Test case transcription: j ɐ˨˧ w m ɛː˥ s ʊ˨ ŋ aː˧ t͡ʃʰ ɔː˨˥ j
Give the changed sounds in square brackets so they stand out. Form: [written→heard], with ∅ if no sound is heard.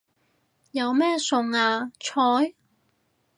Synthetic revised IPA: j ɐ˨˧ w m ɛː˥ s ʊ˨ ŋ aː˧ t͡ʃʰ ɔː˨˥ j